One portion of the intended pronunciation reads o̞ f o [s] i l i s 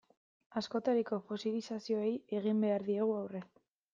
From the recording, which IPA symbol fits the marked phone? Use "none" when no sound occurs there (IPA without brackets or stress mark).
s